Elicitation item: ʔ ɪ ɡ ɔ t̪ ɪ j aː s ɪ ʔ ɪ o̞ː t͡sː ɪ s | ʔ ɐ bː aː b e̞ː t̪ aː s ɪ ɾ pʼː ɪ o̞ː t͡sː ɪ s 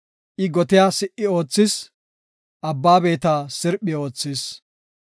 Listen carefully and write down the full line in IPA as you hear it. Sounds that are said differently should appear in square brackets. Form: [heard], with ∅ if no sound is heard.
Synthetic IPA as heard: ʔ ɪ ɡ ɔ t̪ ɪ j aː s ɪ ʔ ɪ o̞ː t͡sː ɪ s | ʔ ɐ bː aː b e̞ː t̪ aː s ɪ ɾ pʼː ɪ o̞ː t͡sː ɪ s